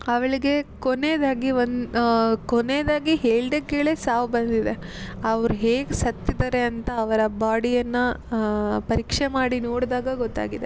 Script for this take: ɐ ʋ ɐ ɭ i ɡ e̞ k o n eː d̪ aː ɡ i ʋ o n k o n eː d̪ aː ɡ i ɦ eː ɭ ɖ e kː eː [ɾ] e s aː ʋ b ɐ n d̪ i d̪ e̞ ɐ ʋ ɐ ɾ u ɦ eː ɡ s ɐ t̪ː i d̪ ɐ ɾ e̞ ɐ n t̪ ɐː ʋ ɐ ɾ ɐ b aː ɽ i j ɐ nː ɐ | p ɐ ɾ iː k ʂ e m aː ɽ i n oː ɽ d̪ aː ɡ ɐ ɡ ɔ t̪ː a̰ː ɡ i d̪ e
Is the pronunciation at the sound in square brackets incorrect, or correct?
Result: incorrect: ɭ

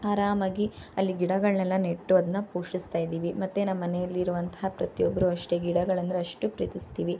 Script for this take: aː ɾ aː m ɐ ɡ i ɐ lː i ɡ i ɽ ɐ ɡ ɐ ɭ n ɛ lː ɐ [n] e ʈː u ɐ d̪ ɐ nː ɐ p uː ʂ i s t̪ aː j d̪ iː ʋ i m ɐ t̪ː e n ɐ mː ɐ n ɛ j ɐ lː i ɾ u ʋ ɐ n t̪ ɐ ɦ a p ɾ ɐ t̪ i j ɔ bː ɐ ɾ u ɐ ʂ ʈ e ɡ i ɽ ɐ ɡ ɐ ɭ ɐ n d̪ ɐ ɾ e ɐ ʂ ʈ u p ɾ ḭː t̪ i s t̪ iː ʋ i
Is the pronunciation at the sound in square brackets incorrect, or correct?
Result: correct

